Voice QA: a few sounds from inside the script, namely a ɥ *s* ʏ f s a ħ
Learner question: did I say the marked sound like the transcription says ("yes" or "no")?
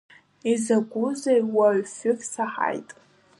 no